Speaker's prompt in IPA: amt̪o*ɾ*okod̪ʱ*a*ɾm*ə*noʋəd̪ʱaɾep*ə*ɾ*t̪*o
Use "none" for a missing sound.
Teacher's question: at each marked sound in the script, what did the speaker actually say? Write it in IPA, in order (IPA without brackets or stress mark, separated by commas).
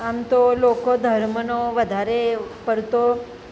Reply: l, ə, ə, ə, t̪